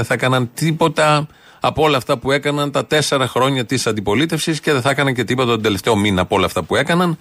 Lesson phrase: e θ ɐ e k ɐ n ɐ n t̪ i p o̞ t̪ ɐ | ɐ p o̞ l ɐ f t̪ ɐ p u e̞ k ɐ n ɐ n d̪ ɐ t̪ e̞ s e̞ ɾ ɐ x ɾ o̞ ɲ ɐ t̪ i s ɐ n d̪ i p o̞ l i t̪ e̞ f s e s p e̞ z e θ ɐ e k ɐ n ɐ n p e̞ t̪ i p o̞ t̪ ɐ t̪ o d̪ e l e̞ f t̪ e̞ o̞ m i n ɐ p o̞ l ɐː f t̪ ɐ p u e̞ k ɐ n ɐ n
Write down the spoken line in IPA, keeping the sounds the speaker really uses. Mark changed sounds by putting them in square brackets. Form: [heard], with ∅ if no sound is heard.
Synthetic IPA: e θ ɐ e k ɐ n ɐ n t̪ i p o̞ t̪ ɐ | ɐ p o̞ l ɐ f t̪ ɐ p u e̞ k ɐ n ɐ n [t̪] ɐ t̪ e̞ s e̞ ɾ ɐ x ɾ o̞ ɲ ɐ t̪ i s ɐ n d̪ i p o̞ l i t̪ e̞ f s [i] s [c] e̞ [ð] e θ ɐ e k ɐ n ɐ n [c] e̞ t̪ i p o̞ t̪ ɐ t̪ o d̪ e l e̞ f t̪ e̞ o̞ m i n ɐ p o̞ l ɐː f t̪ ɐ p u e̞ k ɐ n ɐ n